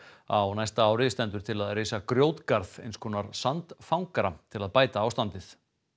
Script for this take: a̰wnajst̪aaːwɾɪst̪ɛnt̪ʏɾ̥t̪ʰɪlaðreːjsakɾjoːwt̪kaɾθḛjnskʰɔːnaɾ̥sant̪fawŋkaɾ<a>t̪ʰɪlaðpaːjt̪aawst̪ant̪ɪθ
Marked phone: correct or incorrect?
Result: correct